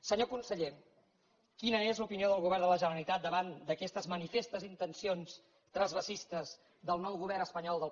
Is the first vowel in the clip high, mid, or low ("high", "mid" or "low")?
mid